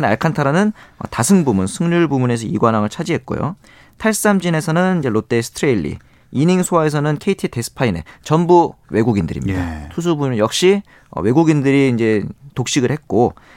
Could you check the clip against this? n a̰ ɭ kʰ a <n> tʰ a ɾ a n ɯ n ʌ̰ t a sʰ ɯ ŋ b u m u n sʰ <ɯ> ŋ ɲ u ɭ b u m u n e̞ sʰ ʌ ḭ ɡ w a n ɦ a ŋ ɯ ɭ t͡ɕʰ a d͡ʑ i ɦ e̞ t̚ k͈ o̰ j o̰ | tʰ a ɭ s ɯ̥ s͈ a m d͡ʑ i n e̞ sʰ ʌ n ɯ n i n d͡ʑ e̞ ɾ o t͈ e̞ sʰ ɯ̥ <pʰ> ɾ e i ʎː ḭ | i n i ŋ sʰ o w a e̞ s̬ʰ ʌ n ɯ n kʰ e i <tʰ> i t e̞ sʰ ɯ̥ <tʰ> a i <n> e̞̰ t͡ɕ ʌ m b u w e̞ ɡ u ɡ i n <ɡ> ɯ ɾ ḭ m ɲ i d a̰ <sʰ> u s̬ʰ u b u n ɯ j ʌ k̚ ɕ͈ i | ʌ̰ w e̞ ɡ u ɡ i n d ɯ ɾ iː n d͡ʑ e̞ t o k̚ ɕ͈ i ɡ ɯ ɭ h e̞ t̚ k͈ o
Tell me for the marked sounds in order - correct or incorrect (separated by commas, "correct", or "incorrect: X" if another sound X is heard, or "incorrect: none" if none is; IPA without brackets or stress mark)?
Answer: correct, correct, incorrect: tʰ, correct, incorrect: pʰ, correct, incorrect: d, incorrect: tʰ